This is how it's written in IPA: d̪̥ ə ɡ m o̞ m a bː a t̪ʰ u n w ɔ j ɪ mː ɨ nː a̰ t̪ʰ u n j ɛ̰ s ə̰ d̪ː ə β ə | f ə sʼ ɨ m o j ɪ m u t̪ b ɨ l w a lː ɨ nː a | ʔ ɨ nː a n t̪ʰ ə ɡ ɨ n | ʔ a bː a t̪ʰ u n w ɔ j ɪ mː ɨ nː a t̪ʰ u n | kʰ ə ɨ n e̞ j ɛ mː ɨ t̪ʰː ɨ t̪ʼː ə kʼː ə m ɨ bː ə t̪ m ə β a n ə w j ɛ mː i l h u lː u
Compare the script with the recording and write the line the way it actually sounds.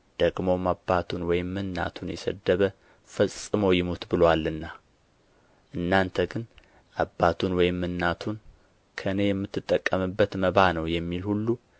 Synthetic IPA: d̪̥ ə ɡ m o̞ m a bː a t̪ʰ u n w ɔ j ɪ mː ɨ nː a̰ t̪ʰ u n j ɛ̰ s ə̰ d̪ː ə β ə | f ə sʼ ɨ m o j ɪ m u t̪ b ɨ l w a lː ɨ nː a | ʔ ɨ nː a n t̪ʰ ə ɡ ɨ n | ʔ a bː a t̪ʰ u n w ɔ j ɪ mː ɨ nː a t̪ʰ u n | kʰ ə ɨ n e̞ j ɛ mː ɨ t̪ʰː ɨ t̪ʼː ə kʼː ə m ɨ bː ə t̪ m ə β a n ə w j ɛ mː i l h u lː u